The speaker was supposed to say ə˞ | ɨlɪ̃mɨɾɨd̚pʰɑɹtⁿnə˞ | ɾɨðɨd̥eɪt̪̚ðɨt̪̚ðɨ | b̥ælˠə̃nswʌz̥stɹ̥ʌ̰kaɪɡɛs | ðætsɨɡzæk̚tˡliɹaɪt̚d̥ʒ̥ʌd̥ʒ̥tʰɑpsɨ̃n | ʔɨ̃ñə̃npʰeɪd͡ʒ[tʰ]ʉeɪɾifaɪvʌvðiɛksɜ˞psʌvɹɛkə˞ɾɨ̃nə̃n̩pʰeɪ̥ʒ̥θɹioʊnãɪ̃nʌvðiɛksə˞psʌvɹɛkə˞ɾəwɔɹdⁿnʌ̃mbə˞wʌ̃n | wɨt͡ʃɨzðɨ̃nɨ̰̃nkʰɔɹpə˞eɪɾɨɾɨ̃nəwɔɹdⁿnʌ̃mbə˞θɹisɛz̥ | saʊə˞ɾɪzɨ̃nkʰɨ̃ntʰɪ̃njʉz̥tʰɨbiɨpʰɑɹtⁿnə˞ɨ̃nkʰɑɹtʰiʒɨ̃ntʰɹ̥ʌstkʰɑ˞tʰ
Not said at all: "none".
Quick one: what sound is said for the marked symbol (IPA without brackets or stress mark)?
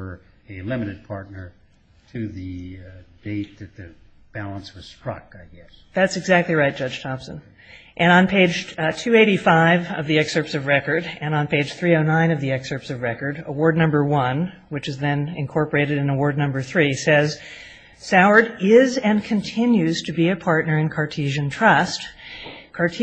tʰ